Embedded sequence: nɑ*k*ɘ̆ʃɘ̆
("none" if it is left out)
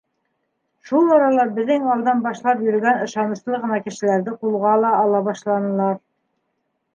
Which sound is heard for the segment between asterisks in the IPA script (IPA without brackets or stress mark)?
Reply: k